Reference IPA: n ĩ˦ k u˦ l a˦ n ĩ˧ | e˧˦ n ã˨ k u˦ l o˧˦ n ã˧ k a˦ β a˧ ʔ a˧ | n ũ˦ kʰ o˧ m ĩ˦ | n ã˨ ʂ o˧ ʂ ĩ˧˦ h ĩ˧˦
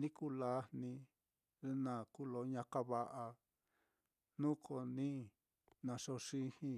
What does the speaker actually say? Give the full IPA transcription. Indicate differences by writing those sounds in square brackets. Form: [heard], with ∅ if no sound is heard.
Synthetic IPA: n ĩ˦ k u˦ l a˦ n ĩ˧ | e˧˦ n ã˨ k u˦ l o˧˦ [ɲ] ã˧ k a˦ β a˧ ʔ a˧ | n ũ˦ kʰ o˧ [n] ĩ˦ | n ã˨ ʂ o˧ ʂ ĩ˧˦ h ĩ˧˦